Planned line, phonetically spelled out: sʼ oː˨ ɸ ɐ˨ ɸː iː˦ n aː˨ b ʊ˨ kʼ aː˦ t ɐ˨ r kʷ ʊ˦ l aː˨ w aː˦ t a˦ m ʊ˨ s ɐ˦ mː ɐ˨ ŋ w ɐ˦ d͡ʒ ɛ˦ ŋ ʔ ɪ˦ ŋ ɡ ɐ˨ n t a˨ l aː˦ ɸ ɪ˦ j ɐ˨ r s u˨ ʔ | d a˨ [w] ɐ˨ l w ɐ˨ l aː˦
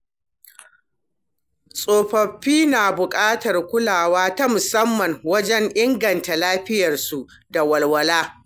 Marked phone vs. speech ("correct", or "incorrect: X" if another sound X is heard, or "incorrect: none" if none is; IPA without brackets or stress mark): correct